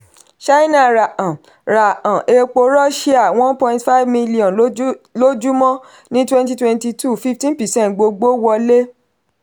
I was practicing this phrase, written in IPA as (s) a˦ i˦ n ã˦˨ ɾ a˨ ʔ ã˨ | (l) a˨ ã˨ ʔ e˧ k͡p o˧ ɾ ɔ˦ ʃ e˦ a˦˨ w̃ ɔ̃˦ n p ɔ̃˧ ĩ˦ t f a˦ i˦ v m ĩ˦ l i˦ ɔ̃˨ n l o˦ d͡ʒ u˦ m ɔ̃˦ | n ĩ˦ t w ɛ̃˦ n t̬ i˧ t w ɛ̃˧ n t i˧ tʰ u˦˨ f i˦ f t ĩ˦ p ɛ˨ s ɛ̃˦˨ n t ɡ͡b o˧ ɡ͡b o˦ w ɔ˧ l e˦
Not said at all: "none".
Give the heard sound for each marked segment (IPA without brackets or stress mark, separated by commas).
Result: ʃ, ɾ